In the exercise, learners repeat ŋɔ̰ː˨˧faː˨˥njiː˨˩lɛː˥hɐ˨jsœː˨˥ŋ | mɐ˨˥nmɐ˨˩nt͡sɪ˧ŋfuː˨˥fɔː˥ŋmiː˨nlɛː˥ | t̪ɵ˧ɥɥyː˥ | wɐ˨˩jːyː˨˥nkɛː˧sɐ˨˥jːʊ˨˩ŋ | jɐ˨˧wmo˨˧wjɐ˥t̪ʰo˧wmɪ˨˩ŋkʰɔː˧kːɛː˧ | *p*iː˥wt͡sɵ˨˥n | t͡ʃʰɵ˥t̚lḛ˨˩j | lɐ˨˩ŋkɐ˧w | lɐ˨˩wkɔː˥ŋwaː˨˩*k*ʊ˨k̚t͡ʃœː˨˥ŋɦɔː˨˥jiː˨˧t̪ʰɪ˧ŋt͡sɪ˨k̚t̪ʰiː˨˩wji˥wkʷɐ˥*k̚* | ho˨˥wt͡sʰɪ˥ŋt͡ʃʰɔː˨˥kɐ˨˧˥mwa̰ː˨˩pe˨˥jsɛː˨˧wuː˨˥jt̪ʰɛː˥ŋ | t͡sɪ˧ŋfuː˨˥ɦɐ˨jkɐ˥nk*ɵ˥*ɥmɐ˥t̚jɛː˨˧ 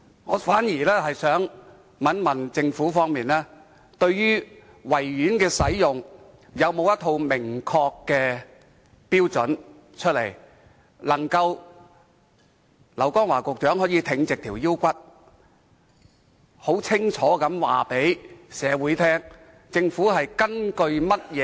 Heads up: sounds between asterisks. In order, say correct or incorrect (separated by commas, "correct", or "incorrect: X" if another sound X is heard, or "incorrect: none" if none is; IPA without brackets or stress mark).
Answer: correct, correct, incorrect: t̚, incorrect: ɵ˧